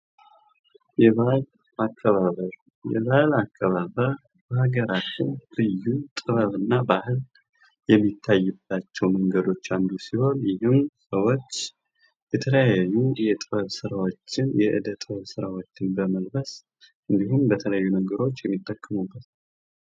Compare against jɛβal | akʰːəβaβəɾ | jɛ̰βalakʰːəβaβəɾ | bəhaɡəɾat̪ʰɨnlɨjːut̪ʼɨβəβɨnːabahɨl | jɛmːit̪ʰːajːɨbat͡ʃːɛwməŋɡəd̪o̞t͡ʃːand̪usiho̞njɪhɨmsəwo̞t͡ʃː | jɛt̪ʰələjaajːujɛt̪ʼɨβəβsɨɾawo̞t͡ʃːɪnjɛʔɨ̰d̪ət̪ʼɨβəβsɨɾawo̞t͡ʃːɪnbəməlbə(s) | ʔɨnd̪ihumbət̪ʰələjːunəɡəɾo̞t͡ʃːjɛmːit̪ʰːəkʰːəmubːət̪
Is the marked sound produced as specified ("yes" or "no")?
yes